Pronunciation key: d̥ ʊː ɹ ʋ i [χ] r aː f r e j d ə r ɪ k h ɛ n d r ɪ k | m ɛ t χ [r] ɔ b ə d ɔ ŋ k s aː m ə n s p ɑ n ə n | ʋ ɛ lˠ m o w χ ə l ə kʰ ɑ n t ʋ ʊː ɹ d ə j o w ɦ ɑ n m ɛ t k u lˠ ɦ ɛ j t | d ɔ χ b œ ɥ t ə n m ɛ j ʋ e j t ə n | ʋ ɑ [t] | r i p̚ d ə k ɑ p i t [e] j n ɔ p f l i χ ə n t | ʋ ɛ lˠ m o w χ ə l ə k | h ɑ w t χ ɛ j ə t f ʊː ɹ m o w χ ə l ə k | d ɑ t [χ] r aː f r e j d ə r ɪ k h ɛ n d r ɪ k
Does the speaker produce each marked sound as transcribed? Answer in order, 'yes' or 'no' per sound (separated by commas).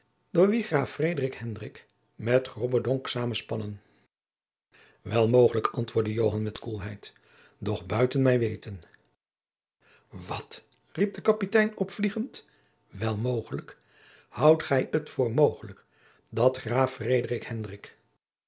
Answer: yes, yes, yes, no, yes